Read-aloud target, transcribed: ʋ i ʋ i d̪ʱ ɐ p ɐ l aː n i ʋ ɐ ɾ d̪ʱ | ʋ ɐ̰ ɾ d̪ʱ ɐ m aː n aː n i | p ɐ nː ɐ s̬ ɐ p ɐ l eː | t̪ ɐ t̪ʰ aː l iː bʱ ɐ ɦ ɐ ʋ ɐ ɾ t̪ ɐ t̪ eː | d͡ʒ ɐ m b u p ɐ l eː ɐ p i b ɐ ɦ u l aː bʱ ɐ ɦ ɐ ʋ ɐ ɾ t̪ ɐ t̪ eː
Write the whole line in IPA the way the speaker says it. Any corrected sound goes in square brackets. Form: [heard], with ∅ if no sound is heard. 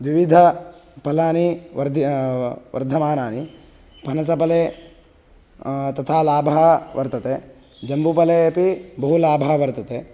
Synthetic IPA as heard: ʋ i ʋ i d̪ʱ ɐ p ɐ l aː n i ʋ ɐ ɾ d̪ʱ | ʋ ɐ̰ ɾ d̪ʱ ɐ m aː n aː n i | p ɐ [n] ɐ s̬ ɐ p ɐ l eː | t̪ ɐ t̪ʰ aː l [aː] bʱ ɐ ɦ ɐ ʋ ɐ ɾ t̪ ɐ t̪ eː | d͡ʒ ɐ m b u p ɐ l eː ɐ p i b ɐ ɦ u l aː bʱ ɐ ɦ ɐ ʋ ɐ ɾ t̪ ɐ t̪ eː